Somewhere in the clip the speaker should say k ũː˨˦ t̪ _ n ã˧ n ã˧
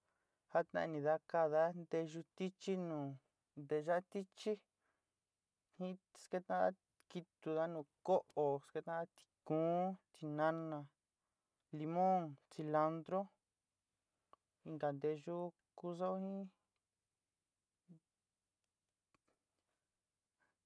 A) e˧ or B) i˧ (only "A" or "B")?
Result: B